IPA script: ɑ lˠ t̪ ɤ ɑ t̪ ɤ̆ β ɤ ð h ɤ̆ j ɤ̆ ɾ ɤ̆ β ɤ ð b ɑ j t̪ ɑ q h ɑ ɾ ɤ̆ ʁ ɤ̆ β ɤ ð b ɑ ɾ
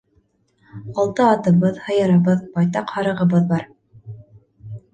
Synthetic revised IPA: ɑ lˠ t̪ ɤ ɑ t̪ ɤ̆ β ɤ ð h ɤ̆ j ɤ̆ ɾ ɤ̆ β ɤ ð b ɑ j t̪ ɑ q h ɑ ɾ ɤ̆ ʁ ɤ̆ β ɤ ð b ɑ ɾ